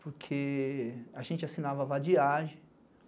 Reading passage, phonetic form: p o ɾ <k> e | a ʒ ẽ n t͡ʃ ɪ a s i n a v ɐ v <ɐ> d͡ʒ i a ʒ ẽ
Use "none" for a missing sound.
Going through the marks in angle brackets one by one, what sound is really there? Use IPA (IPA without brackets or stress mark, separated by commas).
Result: kʰ, a